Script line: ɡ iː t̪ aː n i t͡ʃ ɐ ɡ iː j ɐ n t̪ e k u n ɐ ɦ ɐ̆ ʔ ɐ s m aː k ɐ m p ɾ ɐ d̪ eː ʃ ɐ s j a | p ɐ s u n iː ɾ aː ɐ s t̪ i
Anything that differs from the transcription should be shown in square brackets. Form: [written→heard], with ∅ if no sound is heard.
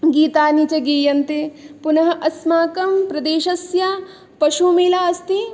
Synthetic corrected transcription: ɡ iː t̪ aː n i t͡ʃ ɐ ɡ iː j ɐ n t̪ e [k→p] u n ɐ ɦ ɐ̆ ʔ ɐ s m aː k ɐ m p ɾ ɐ d̪ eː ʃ ɐ s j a | p ɐ [s→ʃ] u [n→m] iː [ɾ→l] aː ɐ s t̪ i